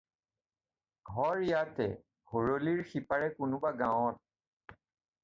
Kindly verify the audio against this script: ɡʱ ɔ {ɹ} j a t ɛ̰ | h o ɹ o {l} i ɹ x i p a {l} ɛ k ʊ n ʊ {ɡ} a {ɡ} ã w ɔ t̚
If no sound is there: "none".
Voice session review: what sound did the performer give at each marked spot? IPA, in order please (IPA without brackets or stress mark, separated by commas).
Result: ɹ, l, ɹ, b, ɡ